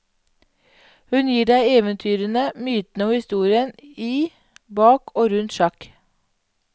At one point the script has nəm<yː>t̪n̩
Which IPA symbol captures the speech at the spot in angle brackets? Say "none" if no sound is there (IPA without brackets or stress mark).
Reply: yː